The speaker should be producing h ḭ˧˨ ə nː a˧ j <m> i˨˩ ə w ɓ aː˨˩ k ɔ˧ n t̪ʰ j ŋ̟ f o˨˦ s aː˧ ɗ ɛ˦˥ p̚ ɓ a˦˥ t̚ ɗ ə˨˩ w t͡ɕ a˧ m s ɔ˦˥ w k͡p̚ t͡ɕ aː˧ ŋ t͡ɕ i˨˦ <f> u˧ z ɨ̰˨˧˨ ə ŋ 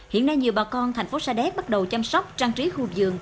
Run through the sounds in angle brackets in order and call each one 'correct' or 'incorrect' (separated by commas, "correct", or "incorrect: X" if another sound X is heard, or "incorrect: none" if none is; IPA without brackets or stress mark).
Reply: incorrect: ɲ, incorrect: x